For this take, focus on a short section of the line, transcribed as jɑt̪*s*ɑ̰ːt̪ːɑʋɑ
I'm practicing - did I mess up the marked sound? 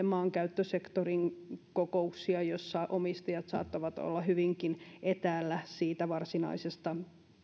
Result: no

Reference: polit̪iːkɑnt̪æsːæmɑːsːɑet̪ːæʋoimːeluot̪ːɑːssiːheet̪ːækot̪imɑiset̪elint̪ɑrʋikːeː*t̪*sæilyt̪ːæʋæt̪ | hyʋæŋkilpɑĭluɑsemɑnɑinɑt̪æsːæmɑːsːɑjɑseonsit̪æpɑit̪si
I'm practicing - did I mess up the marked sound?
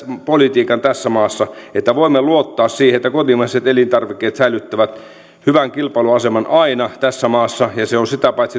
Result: no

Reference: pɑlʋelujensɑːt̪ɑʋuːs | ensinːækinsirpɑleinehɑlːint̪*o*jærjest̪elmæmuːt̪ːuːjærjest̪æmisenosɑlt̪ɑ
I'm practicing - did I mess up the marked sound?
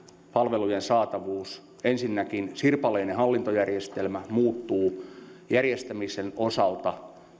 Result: no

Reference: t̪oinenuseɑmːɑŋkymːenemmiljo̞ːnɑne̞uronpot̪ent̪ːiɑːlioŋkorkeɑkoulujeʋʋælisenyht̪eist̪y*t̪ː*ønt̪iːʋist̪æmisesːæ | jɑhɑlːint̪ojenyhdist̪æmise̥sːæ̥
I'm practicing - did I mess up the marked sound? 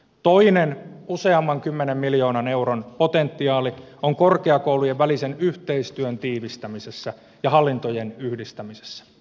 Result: yes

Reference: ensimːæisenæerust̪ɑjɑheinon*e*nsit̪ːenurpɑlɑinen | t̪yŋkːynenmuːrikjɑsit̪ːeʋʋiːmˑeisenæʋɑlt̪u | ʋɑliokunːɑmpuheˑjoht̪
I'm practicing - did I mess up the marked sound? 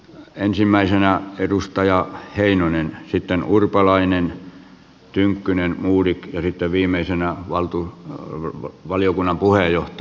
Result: no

